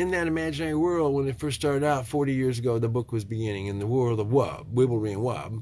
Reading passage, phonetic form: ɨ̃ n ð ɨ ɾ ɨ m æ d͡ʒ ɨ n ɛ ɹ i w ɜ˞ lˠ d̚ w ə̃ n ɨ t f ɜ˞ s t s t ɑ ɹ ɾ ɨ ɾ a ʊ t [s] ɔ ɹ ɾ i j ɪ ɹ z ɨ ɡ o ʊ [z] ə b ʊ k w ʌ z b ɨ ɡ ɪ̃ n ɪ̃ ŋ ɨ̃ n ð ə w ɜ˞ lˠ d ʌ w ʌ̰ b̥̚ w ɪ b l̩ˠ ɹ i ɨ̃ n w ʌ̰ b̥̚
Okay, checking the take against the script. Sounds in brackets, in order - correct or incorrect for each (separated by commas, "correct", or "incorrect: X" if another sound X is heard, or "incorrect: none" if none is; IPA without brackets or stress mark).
incorrect: f, incorrect: ð